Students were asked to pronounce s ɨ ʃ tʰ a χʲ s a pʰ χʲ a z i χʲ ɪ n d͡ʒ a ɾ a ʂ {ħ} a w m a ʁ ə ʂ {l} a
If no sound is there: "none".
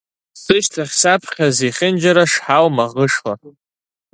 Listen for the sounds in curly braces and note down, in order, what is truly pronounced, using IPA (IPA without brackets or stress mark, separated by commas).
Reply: ħ, l